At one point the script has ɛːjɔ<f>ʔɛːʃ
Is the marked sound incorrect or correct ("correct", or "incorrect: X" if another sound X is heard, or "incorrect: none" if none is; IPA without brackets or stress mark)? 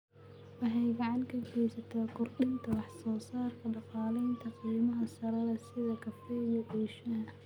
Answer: incorrect: none